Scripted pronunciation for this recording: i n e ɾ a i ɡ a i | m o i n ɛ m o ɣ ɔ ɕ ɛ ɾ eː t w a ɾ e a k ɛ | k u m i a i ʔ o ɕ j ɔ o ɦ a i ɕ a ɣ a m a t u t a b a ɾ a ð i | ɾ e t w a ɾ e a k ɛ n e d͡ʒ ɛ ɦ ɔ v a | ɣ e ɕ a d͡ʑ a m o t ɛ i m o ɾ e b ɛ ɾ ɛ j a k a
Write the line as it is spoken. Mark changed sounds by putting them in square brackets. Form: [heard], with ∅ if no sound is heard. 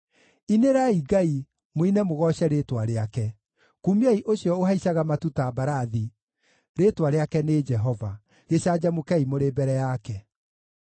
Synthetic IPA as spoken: i n e ɾ a i ɡ a i | m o i n ɛ m o ɣ ɔ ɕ ɛ ɾ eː t w a ɾ e a k ɛ | k u m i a i ʔ o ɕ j ɔ o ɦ a i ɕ a ɣ a m a t u t a b a ɾ a ð i | ɾ e t w a ɾ e a k ɛ n e d͡ʒ ɛ ɦ ɔ v a | ɣ e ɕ a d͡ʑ a m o [k] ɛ i m o ɾ e b ɛ ɾ ɛ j a k [ɛ]